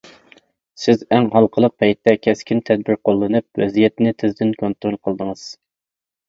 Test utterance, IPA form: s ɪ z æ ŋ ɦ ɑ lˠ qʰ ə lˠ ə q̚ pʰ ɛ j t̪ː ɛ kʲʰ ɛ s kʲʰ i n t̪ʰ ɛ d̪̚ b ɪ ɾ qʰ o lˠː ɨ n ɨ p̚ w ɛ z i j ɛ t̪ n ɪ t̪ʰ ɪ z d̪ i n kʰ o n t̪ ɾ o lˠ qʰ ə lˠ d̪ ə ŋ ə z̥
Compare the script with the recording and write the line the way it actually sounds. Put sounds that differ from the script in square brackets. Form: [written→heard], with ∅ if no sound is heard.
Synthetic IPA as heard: s ɪ z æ ŋ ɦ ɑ lˠ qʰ ə lˠ ə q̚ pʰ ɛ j t̪ː ɛ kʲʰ ɛ s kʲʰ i n t̪ʰ ɛ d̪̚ b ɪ ɾ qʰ o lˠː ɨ n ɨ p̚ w ɛ z i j ɛ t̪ n ɪ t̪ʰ ɪ z d̪ [i→ɪ] n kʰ o n t̪ ɾ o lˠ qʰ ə lˠ d̪ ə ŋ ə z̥

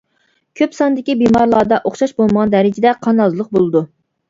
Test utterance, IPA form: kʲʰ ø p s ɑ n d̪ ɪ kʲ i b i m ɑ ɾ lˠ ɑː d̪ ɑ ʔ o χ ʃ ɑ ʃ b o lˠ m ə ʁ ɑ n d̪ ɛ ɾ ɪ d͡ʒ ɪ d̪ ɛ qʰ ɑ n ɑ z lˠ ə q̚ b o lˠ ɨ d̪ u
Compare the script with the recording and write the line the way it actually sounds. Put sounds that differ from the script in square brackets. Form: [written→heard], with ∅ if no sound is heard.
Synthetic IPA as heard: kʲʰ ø p s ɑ n d̪ ɪ kʲ i b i m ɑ ɾ lˠ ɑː d̪ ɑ ʔ o χ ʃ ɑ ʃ b o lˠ m ə ʁ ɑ n d̪ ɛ ɾ ɪ d͡ʒ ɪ d̪ ɛ qʰ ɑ n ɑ z lˠ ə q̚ b o lˠ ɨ d̪ u

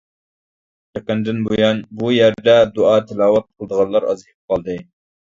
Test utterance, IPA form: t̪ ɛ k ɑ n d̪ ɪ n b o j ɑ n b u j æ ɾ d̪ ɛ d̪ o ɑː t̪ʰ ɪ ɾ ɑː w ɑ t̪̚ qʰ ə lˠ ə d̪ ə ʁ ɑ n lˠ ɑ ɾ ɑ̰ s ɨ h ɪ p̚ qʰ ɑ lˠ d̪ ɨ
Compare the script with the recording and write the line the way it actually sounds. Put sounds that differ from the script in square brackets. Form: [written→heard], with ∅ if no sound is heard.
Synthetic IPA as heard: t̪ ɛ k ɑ n d̪ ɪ n b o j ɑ n b u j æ ɾ d̪ ɛ d̪ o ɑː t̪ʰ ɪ [ɾ→l] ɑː w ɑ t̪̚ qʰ ə lˠ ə d̪ ə ʁ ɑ n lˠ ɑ ɾ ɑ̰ [s→z] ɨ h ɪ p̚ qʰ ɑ lˠ d̪ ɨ

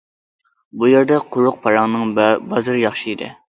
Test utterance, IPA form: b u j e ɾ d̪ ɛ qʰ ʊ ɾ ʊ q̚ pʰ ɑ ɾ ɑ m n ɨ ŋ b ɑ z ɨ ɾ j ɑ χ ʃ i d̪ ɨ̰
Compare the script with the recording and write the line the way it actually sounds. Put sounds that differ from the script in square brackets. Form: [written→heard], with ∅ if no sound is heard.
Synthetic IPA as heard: b u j e ɾ d̪ ɛ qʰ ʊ ɾ ʊ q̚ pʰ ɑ ɾ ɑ [m→ŋ] n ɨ ŋ b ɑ z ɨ ɾ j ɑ χ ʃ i d̪ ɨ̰

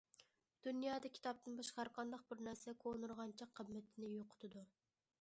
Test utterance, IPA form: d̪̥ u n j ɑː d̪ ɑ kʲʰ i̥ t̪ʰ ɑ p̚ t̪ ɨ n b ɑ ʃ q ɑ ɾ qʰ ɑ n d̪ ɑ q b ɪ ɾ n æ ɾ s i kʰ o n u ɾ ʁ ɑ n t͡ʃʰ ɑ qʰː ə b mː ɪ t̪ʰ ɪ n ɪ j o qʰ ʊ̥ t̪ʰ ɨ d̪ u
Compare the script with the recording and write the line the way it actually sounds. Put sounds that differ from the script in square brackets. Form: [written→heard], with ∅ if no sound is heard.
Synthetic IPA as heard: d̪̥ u n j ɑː d̪ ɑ kʲʰ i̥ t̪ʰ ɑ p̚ t̪ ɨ n b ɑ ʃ q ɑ ɾ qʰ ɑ n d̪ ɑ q b ɪ ɾ n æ ɾ s [i→ɛ] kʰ o n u ɾ ʁ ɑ n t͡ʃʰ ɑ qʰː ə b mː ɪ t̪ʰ ɪ n ɪ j o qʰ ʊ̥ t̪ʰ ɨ d̪ u

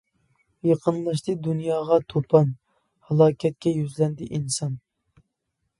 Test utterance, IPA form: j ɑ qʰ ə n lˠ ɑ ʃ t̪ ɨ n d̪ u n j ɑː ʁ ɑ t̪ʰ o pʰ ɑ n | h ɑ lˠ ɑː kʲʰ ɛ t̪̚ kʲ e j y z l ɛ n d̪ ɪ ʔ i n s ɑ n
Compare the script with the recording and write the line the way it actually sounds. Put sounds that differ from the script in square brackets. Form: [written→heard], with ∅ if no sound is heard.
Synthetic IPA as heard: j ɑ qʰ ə n lˠ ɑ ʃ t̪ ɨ [n→∅] d̪ u n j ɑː ʁ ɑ t̪ʰ o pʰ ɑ n | h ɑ lˠ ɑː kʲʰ ɛ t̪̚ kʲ [e→ɛ] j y z l ɛ n d̪ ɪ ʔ i n s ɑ n

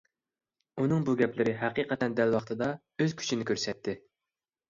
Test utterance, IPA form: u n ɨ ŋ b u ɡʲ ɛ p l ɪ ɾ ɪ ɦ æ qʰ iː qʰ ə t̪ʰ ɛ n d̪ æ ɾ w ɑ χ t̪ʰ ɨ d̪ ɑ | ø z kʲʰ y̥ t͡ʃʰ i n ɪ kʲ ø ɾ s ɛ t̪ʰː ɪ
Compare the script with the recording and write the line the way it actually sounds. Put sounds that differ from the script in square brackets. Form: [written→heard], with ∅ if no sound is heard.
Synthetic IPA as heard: u n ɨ ŋ b u ɡʲ ɛ p l ɪ ɾ ɪ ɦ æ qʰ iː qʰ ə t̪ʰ ɛ n d̪ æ [ɾ→l] w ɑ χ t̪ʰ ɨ d̪ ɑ | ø z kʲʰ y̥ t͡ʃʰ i n ɪ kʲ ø ɾ s ɛ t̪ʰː ɪ

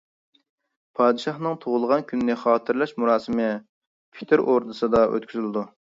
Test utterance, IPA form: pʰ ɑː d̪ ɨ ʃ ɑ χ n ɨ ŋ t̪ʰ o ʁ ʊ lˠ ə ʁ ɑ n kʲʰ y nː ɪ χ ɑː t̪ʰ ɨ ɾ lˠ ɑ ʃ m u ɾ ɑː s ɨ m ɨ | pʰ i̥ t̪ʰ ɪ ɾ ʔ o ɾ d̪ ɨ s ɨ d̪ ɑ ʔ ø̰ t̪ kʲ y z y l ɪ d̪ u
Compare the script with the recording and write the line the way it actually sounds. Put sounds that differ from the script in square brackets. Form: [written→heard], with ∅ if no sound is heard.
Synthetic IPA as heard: pʰ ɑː d̪ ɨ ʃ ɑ χ n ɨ ŋ t̪ʰ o ʁ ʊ lˠ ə ʁ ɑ n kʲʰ y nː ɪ χ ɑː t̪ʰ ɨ ɾ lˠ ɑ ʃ m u ɾ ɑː s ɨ m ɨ | pʰ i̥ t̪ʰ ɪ ɾ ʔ o ɾ d̪ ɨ s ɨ d̪ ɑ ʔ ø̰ t̪ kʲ y z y l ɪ d̪ u

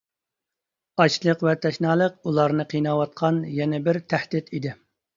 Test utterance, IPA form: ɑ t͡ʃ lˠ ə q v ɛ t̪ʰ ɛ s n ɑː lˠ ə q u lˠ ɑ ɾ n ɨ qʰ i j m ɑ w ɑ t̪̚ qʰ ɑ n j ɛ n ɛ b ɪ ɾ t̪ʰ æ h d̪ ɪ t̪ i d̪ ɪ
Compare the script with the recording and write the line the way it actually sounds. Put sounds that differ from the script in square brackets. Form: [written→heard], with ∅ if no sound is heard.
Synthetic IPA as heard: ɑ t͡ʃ lˠ ə q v ɛ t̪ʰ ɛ [s→ʃ] n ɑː lˠ ə q u lˠ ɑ ɾ n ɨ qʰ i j [m→n] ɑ w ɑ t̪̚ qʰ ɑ n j ɛ n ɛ b ɪ ɾ t̪ʰ æ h d̪ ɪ t̪ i d̪ ɪ

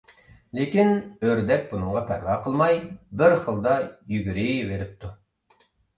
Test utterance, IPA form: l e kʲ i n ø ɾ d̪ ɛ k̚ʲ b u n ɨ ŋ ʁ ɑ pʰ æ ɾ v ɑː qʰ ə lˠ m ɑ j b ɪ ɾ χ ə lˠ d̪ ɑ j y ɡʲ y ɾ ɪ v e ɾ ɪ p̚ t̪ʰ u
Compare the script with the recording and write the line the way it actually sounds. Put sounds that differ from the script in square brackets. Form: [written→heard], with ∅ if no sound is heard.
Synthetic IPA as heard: l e kʲ i n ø ɾ d̪ ɛ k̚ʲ b u n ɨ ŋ ʁ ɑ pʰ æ ɾ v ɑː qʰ ə lˠ m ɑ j b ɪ ɾ χ ə lˠ d̪ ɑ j y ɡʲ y ɾ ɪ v e ɾ ɪ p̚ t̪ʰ u

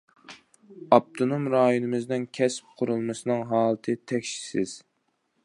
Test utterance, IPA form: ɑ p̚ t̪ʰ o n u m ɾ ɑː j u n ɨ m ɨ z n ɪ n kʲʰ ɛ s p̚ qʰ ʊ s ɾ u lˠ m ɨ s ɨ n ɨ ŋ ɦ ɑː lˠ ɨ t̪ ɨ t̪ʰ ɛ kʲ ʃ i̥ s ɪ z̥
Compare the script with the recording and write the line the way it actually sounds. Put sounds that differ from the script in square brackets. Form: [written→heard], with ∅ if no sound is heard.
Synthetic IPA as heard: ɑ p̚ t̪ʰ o n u m ɾ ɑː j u n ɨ m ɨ z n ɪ n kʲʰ ɛ s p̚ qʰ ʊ [s→∅] ɾ u lˠ m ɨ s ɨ n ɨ ŋ ɦ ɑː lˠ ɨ [t̪→t̪ʰ] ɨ t̪ʰ ɛ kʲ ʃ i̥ s ɪ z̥

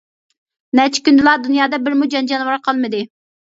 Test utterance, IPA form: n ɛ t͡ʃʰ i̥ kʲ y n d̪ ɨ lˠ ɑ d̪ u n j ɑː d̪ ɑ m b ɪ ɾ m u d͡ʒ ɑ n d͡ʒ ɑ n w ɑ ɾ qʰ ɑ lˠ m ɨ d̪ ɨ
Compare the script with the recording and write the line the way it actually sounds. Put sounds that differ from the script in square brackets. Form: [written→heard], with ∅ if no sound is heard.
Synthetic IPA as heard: n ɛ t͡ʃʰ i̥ kʲ y n d̪ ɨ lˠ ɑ d̪ u n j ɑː d̪ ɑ [m→∅] b ɪ ɾ m u d͡ʒ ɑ n d͡ʒ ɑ n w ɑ ɾ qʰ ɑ lˠ m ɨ d̪ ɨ

